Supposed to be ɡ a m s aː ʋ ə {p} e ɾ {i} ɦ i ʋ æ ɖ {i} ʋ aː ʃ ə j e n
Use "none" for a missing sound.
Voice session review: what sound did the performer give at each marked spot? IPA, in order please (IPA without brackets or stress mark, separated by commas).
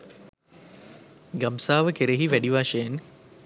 k, e, i